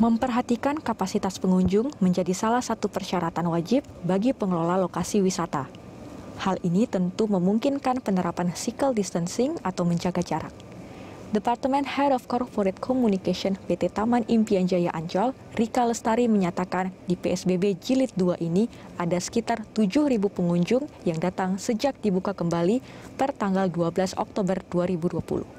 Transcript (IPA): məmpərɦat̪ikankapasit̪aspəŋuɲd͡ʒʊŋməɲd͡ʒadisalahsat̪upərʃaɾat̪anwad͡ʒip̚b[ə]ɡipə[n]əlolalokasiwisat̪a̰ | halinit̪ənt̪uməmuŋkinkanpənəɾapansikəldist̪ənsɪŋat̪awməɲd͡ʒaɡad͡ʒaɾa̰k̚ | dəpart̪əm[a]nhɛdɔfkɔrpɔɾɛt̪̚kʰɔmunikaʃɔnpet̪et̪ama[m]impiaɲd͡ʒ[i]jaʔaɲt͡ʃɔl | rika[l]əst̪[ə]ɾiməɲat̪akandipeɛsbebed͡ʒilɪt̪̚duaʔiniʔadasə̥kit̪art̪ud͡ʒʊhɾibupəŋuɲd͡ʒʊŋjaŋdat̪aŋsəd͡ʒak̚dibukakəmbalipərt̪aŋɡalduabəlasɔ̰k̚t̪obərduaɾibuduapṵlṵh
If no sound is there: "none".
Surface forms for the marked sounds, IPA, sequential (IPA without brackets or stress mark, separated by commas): a, ŋ, ɛ, n, a, l, a